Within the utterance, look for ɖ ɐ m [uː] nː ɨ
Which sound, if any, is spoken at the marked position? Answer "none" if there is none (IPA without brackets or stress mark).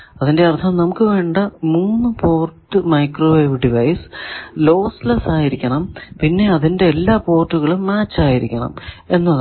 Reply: uː